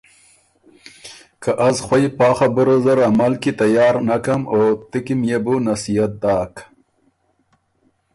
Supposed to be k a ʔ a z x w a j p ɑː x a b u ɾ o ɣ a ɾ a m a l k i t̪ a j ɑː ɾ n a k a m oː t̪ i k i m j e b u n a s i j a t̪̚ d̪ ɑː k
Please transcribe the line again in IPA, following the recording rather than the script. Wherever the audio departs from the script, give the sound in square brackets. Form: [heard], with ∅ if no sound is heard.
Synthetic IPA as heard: k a ʔ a z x w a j p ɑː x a b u ɾ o [z] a ɾ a m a l k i t̪ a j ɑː ɾ n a k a m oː t̪ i k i m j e b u n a s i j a t̪̚ d̪ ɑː k